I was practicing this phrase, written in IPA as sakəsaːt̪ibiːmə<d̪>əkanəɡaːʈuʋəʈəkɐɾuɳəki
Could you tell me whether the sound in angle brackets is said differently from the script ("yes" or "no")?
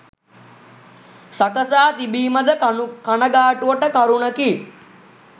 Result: no